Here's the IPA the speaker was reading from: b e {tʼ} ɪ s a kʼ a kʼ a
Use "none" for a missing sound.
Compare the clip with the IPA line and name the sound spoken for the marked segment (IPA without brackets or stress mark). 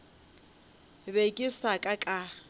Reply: kʼ